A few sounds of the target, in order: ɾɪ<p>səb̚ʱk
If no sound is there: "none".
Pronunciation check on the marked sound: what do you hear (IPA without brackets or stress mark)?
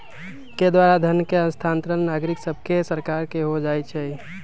k